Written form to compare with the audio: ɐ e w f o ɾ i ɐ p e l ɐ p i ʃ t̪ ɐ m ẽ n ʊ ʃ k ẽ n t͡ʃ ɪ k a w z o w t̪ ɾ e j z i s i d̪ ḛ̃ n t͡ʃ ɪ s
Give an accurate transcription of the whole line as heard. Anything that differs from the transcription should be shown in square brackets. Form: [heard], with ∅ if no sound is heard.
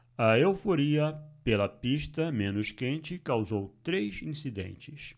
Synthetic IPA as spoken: ɐ e w f o ɾ i ɐ p e l ɐ p i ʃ t̪ ɐ m ẽ n ʊ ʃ k ẽ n t͡ʃ ɪ k a w z o w t̪ ɾ e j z [ĩ] s i d̪ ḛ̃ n t͡ʃ ɪ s